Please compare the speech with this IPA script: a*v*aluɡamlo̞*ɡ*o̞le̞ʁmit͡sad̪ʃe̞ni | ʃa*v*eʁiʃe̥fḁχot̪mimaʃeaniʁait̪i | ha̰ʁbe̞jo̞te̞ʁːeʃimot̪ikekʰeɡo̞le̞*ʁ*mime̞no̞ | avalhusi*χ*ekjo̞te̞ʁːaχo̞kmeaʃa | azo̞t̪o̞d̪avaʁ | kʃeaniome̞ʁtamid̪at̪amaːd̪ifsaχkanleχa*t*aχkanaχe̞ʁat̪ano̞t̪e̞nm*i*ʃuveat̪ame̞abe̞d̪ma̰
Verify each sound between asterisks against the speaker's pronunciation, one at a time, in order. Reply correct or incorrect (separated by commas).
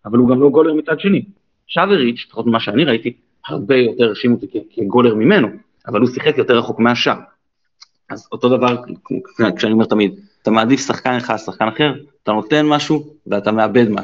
correct, correct, correct, correct, correct, incorrect, incorrect